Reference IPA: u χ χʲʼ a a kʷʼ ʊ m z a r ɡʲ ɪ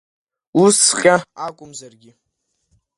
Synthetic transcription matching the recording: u s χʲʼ a a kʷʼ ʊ m z a r ɡʲ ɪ